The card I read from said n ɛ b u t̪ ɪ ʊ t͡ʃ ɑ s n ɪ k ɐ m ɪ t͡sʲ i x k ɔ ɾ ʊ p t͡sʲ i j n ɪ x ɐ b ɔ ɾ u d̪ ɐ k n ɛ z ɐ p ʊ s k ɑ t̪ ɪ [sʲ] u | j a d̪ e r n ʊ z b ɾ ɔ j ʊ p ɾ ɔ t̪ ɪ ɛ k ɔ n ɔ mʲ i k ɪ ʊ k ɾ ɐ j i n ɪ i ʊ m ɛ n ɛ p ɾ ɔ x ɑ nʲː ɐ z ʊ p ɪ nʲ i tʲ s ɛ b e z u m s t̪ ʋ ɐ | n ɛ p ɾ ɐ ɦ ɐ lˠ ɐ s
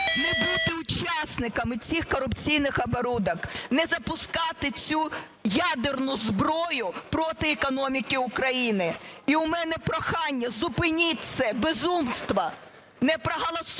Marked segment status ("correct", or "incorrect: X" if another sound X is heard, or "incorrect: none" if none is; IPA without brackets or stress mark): incorrect: t͡sʲ